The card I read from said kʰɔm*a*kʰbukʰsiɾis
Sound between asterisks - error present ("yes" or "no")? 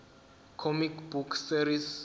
yes